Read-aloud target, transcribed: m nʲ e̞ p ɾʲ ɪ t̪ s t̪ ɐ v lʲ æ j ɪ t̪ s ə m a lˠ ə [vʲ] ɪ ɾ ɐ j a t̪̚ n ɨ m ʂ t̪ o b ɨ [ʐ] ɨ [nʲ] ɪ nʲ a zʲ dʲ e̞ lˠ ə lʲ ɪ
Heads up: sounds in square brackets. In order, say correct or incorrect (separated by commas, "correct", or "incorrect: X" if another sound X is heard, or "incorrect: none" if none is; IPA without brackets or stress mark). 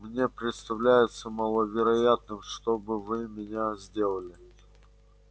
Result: correct, incorrect: v, incorrect: mʲ